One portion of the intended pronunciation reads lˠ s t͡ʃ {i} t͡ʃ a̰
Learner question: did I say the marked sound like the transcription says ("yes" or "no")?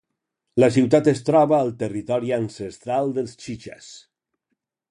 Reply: yes